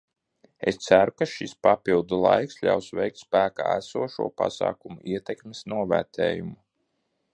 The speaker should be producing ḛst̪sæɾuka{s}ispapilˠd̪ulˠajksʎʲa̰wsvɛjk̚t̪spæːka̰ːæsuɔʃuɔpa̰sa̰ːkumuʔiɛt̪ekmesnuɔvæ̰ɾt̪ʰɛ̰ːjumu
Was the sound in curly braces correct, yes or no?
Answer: no